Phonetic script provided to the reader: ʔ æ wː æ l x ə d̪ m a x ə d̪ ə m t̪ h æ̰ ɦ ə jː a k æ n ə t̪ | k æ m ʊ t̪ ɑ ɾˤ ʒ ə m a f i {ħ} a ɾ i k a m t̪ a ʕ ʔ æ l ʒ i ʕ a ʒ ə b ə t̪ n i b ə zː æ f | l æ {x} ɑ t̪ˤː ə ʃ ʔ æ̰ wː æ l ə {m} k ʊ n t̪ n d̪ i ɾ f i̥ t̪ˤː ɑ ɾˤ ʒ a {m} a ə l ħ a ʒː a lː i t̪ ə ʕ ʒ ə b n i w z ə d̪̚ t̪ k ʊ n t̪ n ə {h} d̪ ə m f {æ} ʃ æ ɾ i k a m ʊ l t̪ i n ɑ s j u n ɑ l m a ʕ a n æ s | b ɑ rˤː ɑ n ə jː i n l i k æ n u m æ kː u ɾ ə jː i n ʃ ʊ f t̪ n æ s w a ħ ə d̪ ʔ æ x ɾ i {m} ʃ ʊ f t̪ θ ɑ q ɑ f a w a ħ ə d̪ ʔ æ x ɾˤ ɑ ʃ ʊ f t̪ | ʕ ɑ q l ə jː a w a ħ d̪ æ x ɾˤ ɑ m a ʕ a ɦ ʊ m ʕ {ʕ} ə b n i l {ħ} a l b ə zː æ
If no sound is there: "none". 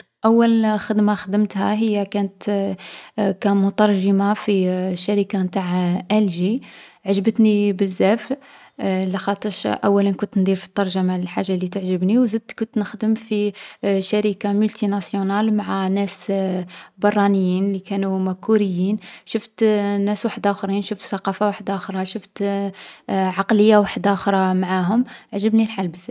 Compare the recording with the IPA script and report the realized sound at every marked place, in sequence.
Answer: ʃ, x, n, m, x, i, n, ʒ, ħ

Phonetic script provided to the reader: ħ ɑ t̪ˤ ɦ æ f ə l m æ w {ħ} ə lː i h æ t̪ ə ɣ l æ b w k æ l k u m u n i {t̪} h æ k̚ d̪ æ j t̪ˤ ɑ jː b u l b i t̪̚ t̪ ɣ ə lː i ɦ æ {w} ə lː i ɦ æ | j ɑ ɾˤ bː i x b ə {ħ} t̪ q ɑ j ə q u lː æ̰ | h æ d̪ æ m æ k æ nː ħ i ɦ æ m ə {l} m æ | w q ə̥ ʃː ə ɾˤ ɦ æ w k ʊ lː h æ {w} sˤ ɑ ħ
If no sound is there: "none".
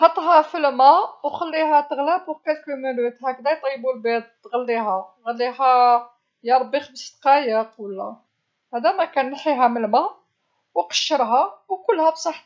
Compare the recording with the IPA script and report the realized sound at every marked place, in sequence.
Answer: x, t̪, ɣ, s, l, b

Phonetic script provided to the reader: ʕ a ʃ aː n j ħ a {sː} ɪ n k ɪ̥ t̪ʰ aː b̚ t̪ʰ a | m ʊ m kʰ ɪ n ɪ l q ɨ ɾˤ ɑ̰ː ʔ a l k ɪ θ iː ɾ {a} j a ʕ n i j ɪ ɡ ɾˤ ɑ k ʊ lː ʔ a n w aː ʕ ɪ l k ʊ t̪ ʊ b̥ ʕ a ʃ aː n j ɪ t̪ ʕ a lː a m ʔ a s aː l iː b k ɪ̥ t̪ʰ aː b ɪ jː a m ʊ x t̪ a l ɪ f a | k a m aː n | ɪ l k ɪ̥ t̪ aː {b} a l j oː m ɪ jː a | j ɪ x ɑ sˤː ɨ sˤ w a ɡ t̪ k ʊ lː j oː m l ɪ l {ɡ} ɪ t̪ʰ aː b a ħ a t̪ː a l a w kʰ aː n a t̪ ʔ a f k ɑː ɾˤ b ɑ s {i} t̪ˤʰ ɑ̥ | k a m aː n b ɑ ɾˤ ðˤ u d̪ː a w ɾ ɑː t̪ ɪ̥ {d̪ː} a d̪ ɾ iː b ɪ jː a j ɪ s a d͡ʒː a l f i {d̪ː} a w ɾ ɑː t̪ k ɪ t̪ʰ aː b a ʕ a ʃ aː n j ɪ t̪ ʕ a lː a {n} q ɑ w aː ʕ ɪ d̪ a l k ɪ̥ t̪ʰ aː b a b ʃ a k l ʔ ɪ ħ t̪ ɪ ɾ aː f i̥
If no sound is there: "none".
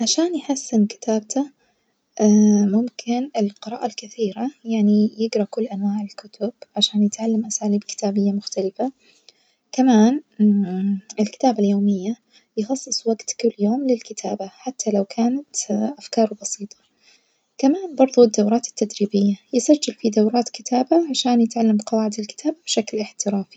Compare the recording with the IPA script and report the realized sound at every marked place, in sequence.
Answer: sː, a, b, k, iː, t̪ː, d̪, m

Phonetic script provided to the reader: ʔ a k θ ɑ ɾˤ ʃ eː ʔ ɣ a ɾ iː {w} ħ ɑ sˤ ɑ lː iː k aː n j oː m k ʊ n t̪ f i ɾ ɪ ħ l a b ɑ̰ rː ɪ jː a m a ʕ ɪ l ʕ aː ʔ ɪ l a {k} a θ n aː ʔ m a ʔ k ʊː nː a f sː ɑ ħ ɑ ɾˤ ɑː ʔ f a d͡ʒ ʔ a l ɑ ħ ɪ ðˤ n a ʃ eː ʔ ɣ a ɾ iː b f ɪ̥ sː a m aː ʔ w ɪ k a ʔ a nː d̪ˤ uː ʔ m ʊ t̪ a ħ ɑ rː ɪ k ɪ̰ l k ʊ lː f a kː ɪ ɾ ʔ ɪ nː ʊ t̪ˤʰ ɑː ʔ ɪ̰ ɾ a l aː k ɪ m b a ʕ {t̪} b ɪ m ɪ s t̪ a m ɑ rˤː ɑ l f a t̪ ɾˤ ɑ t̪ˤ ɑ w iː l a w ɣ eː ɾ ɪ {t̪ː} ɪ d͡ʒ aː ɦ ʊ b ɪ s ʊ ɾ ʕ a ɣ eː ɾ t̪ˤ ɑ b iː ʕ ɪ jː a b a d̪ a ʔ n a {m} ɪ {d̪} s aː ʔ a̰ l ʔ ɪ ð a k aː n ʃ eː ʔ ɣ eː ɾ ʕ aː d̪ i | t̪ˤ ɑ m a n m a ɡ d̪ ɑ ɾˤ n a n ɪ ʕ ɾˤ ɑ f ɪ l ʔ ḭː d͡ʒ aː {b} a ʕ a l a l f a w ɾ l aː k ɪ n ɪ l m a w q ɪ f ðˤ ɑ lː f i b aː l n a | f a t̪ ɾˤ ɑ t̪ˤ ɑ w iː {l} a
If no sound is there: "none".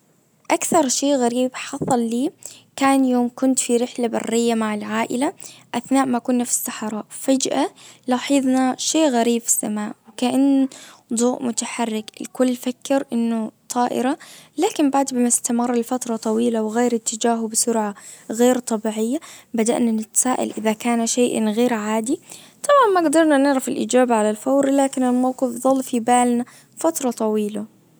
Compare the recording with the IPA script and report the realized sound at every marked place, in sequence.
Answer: b, ʔ, d̪, t̪ː, n, t̪, b, l

